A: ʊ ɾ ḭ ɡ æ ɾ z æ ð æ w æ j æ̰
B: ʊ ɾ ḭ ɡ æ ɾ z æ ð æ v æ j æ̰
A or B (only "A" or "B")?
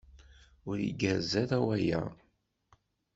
A